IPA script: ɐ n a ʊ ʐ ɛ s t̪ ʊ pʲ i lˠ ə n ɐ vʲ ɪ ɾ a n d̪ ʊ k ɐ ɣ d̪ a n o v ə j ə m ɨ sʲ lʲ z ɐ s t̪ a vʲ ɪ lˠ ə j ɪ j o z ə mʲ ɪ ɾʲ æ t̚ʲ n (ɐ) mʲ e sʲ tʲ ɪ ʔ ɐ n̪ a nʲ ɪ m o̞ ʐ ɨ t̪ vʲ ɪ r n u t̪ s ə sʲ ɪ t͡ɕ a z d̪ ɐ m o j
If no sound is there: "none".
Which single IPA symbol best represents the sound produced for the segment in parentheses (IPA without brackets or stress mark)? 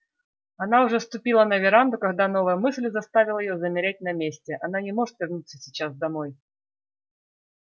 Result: ɐ